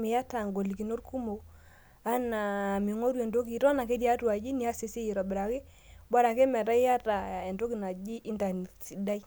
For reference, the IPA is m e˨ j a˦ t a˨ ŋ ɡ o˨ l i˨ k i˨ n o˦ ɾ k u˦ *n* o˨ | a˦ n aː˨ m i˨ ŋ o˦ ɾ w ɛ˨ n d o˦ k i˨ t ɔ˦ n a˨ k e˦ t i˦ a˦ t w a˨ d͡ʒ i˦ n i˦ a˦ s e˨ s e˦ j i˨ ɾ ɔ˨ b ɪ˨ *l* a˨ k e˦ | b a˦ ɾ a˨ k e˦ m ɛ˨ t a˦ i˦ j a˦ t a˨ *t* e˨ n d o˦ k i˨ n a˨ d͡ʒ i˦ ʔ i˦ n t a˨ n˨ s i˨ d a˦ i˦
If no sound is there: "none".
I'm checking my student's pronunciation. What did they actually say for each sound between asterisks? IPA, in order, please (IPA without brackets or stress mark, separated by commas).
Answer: m, ɾ, none